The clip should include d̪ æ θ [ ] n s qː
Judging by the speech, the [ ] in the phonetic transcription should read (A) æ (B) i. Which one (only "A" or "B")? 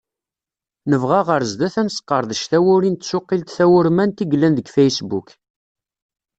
A